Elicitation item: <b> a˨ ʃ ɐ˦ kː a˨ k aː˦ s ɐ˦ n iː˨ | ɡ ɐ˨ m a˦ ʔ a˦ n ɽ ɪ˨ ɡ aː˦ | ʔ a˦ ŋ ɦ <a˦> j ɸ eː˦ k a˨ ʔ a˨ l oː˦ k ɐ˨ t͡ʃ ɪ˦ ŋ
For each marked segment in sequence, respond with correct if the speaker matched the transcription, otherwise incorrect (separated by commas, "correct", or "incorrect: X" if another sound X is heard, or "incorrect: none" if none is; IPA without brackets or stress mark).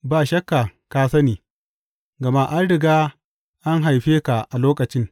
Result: correct, incorrect: a˨